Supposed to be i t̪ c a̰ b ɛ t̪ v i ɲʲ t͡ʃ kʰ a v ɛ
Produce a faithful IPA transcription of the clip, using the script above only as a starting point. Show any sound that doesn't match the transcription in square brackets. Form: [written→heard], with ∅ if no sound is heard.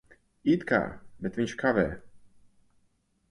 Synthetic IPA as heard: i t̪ [c→k] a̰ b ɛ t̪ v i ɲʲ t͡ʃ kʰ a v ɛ

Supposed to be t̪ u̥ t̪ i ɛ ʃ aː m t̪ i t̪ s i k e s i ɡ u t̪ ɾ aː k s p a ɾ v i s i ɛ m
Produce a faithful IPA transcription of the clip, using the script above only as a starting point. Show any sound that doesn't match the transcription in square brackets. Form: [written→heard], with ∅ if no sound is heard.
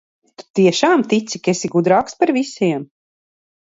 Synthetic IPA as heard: t̪ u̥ t̪ i ɛ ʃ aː m t̪ i t̪ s i k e s i ɡ u [t̪→d̪] ɾ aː k s p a ɾ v i s i ɛ m

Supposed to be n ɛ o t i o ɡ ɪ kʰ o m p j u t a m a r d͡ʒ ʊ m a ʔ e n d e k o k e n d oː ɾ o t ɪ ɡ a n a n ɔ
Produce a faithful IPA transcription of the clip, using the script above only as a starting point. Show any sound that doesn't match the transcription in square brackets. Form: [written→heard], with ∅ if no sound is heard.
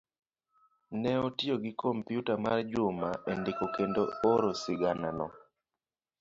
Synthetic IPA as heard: n ɛ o t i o ɡ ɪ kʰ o m p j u t a m a r d͡ʒ ʊ m a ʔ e n d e k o k e n d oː ɾ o [t→s] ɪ ɡ a n a n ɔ

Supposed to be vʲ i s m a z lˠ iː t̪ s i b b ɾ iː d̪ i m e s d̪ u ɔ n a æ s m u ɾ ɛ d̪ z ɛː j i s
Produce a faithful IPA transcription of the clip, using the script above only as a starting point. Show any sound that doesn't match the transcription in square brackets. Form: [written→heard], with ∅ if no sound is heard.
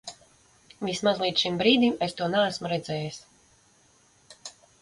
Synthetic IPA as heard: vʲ i s m a z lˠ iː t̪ [s→ʃ] i [b→m] b ɾ iː d̪ i m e s [d̪→t̪] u ɔ n a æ s m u ɾ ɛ d̪ z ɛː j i s

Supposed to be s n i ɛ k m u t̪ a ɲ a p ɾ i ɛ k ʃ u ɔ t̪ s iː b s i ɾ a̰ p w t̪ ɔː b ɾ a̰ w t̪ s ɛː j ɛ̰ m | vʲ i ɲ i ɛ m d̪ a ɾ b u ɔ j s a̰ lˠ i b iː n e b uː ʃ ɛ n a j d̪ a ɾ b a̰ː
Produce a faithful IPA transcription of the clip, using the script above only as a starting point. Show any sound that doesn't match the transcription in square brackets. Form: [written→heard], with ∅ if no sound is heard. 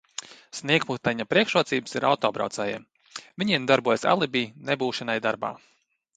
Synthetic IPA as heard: s n i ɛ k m u t̪ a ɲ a p ɾ i ɛ k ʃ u ɔ t̪ s iː b s i ɾ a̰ [p→∅] w t̪ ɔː b ɾ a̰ w t̪ s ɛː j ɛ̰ m | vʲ i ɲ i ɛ m d̪ a ɾ b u ɔ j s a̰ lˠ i b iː n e b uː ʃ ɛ n a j d̪ a ɾ b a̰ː

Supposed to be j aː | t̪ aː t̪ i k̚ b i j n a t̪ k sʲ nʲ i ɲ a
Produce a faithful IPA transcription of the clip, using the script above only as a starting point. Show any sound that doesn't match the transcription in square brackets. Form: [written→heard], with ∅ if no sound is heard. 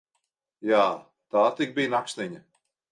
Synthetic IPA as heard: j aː | t̪ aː t̪ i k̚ b i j n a [t̪→∅] k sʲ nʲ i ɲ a

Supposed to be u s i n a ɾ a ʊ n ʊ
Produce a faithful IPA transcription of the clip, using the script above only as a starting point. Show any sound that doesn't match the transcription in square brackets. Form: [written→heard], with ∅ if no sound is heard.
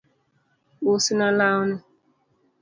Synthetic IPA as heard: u s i n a [ɾ→l] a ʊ n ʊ

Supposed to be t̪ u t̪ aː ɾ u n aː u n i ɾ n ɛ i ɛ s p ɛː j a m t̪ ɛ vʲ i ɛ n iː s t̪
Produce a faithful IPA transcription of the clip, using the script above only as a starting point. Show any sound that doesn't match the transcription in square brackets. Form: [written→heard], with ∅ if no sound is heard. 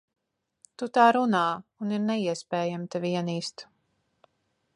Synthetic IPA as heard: t̪ u t̪ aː ɾ u n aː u n i ɾ n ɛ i ɛ s p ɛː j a m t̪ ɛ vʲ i ɛ n iː s t̪

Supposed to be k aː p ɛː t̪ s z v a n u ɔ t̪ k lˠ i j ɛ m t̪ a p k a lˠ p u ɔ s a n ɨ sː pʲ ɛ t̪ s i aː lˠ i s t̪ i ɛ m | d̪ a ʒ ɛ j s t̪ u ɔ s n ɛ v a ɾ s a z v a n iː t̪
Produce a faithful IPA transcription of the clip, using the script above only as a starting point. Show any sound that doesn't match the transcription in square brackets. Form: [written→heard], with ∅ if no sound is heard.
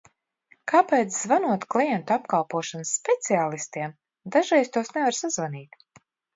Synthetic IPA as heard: k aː p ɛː t̪ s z v a n u ɔ t̪ k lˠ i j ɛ [m→n] t̪ a p k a lˠ p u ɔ [s→ʃ] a n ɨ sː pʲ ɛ t̪ s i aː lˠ i s t̪ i ɛ m | d̪ a ʒ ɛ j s t̪ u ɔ s n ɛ v a ɾ s a z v a n iː t̪

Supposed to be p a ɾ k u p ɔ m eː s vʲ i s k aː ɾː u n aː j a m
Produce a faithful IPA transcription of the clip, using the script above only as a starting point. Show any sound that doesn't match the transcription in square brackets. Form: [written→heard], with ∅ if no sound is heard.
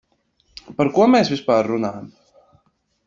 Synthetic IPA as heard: p a ɾ k u [p→∅] ɔ m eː s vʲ i s [k→p] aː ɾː u n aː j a m

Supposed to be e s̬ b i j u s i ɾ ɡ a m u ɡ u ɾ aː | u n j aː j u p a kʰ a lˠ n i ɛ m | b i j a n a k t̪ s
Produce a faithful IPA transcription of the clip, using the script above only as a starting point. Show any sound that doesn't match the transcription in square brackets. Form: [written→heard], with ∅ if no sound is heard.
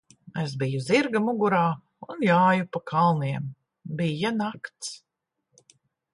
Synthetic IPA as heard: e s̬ b i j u [s→z] i ɾ ɡ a m u ɡ u ɾ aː | u n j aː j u p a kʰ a lˠ n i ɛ m | b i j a n a k t̪ s

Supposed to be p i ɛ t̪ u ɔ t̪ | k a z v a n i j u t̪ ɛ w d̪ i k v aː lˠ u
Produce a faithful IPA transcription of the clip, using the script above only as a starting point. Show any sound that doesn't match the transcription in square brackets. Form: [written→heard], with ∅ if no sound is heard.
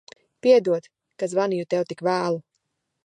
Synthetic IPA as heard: p i ɛ [t̪→d̪] u ɔ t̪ | k a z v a n i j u t̪ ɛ w [d̪→t̪] i k v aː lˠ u

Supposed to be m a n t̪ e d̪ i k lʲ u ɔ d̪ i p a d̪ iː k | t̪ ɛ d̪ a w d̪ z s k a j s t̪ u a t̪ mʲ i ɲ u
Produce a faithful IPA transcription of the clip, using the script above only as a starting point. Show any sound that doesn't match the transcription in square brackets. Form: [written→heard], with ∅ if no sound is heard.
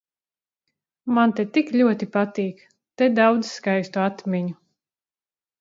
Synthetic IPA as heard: m a n t̪ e [d̪→t̪] i k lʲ u ɔ [d̪→t̪] i p a [d̪→t̪] iː k | t̪ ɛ d̪ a w d̪ z s k a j s t̪ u a t̪ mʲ i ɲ u

